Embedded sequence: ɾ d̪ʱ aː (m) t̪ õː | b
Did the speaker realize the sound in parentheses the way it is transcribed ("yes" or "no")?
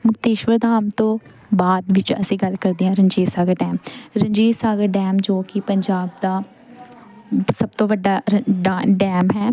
yes